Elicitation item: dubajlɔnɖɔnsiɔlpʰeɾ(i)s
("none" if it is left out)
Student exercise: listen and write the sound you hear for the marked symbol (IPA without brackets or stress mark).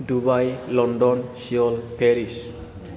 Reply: i